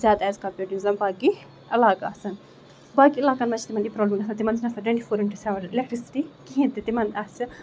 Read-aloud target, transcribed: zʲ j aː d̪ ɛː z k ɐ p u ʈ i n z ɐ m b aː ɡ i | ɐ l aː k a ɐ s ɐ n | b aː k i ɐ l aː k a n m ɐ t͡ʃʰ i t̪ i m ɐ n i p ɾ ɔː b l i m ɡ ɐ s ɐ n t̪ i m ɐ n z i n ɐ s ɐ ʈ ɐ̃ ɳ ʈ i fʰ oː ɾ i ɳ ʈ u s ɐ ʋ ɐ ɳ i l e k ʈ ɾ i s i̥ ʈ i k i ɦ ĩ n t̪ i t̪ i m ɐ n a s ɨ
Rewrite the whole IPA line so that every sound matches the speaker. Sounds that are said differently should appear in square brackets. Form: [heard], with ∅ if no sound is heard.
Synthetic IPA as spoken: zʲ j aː d̪ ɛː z k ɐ p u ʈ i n z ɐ m b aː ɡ i | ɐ l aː k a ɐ s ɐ n | b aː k i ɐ l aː k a n m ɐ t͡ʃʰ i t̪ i m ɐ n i p ɾ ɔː b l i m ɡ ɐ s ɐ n t̪ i m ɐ n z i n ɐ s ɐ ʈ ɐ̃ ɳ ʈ i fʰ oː ɾ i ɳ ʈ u s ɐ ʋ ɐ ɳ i l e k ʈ ɾ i s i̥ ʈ i k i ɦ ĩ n t̪ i t̪ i m ɐ n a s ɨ